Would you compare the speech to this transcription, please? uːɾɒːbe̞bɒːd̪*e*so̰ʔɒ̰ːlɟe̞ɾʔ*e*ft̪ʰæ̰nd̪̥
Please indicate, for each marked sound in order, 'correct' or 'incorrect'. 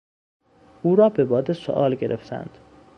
correct, correct

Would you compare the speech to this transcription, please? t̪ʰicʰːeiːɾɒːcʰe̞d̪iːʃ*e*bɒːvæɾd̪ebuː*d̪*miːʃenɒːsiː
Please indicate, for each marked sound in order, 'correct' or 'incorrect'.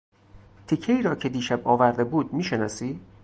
incorrect, correct

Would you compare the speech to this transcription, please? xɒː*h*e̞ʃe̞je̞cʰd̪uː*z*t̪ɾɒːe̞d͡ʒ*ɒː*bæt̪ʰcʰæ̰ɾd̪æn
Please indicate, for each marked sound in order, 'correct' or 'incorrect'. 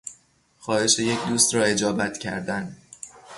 correct, incorrect, correct

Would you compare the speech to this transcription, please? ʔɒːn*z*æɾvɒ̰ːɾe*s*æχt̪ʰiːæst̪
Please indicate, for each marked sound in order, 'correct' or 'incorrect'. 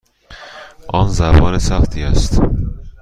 correct, correct

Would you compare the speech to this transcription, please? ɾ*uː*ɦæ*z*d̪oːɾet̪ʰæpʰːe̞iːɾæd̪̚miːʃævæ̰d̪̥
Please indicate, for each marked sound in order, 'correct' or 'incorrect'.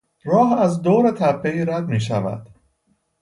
incorrect, correct

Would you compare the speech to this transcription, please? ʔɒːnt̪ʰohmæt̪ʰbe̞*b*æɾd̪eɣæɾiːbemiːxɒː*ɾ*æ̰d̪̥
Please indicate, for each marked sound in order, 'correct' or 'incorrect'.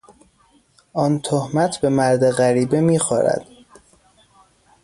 incorrect, correct

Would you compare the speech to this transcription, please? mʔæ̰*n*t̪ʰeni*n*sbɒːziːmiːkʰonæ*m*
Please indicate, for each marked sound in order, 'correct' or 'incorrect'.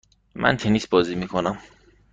correct, incorrect, correct

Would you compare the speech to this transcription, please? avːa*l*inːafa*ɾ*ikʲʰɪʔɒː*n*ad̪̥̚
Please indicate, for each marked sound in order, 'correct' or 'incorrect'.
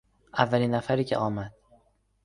correct, correct, incorrect

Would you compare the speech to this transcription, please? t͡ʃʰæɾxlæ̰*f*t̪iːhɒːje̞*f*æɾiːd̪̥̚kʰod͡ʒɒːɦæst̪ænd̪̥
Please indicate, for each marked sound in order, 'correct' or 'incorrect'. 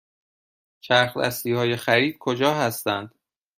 incorrect, incorrect

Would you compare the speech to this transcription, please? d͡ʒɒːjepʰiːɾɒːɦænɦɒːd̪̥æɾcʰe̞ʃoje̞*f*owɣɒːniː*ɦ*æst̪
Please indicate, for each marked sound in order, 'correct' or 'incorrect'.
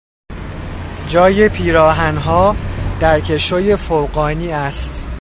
correct, incorrect

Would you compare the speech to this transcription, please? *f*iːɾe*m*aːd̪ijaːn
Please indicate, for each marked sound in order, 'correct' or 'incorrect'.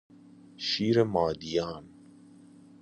incorrect, correct

